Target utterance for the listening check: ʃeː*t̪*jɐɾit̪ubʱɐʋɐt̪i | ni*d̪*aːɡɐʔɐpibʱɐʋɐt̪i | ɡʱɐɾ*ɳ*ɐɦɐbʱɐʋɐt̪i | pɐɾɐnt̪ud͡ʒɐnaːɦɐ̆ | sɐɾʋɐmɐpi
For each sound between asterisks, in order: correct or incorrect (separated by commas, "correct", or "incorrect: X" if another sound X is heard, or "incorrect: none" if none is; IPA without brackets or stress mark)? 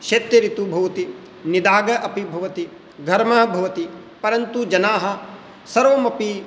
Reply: correct, correct, incorrect: m